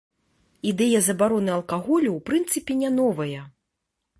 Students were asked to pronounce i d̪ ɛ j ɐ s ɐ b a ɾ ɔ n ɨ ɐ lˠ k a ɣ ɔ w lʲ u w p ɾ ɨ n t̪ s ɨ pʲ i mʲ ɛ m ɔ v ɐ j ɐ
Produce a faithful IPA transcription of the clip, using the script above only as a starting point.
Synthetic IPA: i d̪ ɛ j ɐ z ɐ b a ɾ ɔ n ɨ ɐ lˠ k a ɣ ɔ lʲ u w p ɾ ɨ n t̪ s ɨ pʲ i nʲ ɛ n ɔ v ɐ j ɐ